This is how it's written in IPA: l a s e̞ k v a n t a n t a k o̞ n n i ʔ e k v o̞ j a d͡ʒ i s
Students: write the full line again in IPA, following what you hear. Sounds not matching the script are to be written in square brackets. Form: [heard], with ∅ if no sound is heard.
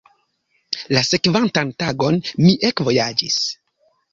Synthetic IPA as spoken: l a s e̞ k v a n t a n t a [ɡ] o̞ n [m] i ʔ e k v o̞ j a d͡ʒ i s